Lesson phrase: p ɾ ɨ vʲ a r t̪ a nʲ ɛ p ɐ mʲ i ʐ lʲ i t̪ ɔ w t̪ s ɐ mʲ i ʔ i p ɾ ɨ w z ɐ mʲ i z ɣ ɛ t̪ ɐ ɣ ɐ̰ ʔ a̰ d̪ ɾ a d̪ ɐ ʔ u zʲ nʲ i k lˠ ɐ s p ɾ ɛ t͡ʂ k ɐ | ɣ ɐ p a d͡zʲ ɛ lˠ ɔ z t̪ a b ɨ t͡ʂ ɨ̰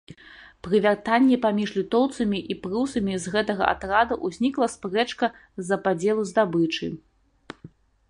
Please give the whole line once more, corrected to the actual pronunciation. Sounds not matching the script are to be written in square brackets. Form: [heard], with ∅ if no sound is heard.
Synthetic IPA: p ɾ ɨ vʲ a r t̪ a [nʲː] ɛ p [a] mʲ i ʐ lʲ i t̪ ɔ w t̪ s ɐ mʲ i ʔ i p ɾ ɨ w [s] ɐ mʲ i z ɣ ɛ t̪ ɐ ɣ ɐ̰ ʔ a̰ [t̪] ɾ a d̪ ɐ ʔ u zʲ nʲ i k lˠ ɐ s p ɾ ɛ t͡ʂ k ɐ | [z] ɐ p a d͡zʲ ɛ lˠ [u] z [d̪] a b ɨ t͡ʂ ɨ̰